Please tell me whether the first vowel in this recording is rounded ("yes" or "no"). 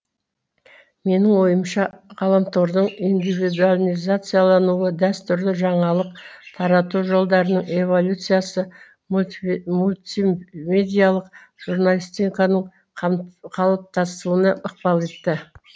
no